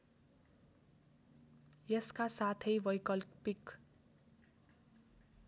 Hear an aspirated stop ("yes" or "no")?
yes